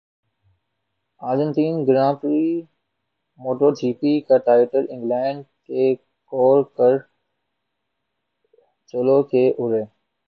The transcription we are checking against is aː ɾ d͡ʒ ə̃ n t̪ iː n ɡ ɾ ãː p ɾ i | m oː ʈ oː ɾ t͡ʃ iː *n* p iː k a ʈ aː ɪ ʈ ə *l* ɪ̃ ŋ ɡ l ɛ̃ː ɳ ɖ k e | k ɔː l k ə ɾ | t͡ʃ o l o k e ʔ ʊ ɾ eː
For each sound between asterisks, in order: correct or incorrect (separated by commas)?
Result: incorrect, incorrect